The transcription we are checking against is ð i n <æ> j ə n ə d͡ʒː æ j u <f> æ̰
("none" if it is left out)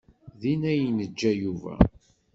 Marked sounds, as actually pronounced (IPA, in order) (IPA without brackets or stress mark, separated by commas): æ, v